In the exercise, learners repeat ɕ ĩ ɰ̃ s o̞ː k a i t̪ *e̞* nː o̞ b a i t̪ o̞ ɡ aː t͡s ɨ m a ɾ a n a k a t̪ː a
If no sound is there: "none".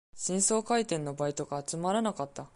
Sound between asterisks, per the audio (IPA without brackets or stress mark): ẽ̞